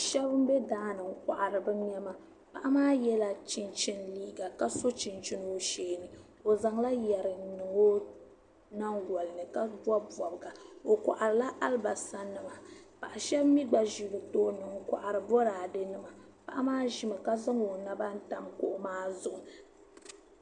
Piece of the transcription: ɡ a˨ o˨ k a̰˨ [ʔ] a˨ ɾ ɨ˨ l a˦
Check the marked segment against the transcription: correct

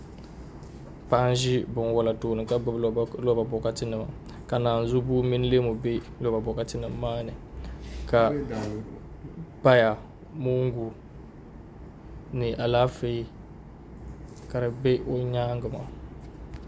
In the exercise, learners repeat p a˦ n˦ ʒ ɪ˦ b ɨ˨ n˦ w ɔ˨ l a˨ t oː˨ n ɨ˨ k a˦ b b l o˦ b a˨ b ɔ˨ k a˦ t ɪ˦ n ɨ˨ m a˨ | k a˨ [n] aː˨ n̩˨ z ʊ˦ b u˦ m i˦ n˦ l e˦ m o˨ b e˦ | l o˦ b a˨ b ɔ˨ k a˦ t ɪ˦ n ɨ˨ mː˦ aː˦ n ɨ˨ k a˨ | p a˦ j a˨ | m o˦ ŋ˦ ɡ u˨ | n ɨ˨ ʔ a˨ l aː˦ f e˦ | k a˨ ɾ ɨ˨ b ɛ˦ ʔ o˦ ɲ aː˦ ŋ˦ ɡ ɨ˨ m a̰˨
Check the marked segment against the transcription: correct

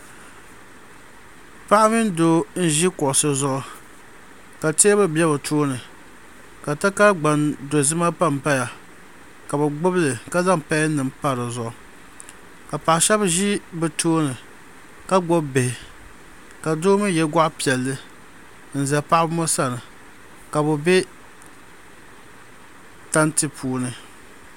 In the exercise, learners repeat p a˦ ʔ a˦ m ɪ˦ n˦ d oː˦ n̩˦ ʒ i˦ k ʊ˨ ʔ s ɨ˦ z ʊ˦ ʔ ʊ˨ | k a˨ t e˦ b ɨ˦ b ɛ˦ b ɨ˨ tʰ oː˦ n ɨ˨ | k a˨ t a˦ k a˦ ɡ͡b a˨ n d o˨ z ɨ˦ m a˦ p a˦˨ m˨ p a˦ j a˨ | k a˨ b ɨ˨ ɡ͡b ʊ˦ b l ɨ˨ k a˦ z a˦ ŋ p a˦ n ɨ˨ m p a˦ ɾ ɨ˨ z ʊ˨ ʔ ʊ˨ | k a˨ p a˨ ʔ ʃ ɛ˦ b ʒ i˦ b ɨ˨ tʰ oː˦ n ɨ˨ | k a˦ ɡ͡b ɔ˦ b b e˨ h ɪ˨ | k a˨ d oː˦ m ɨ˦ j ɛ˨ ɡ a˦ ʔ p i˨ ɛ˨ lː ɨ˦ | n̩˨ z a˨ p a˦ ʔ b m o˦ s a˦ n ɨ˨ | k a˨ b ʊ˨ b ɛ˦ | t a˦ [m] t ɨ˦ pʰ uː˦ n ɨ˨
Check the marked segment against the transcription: incorrect: n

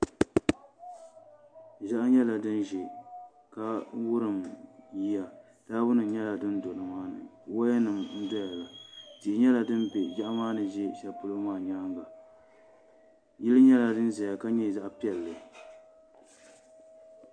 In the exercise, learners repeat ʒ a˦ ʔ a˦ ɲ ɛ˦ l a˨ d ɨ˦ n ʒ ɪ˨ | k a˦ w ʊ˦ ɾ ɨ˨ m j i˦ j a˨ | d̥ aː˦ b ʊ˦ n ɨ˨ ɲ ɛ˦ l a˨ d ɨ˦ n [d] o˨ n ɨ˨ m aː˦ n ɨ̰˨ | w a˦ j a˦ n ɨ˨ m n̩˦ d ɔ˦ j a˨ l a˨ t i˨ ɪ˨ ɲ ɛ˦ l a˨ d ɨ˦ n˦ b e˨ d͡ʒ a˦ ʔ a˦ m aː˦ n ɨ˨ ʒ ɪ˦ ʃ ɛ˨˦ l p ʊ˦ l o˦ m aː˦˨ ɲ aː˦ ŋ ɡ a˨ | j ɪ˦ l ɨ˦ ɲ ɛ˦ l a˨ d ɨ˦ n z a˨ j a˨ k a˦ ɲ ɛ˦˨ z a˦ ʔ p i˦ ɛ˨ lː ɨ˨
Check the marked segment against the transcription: correct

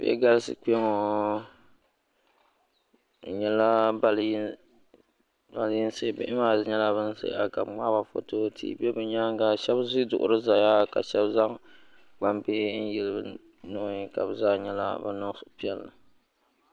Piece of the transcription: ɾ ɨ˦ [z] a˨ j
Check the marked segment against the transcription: correct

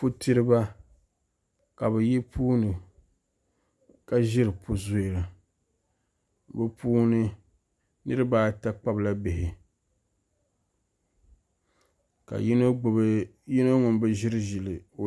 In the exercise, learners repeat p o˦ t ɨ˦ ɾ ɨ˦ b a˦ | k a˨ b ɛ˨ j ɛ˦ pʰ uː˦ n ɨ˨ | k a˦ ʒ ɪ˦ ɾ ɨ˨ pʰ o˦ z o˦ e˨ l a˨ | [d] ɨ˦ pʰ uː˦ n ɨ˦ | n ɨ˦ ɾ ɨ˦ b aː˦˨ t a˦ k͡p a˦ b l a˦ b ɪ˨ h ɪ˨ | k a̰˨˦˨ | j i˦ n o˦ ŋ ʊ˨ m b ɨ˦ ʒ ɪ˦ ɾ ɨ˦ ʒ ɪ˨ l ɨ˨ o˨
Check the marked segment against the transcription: incorrect: b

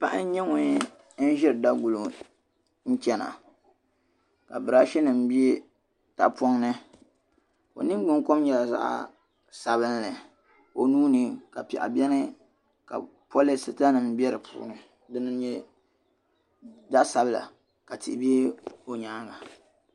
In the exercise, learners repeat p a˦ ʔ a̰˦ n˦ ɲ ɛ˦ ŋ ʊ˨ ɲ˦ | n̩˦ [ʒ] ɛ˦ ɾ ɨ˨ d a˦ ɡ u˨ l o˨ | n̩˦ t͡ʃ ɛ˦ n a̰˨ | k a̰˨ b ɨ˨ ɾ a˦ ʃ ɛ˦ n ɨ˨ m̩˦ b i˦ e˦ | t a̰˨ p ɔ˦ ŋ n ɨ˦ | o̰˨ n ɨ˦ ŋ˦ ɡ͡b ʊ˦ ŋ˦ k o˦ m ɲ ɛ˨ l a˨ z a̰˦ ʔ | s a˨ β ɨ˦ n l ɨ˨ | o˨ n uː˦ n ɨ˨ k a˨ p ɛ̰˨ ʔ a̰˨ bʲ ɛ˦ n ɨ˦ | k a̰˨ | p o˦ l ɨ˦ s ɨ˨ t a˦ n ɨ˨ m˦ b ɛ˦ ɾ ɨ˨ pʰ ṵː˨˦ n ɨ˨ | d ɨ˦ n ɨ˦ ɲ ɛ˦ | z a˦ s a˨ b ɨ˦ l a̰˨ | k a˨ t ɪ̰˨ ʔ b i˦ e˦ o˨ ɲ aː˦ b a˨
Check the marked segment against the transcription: correct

